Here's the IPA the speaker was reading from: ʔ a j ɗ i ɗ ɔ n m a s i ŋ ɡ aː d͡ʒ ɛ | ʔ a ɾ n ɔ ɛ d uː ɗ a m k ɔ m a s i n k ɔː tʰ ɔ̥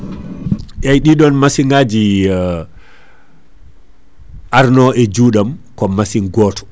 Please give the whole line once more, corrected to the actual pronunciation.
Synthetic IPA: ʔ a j ɗ i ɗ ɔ n m a s i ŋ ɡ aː d͡ʒ i | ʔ a ɾ n ɔ ɛ d͡ʒ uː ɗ a m k ɔ m a s i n ɡ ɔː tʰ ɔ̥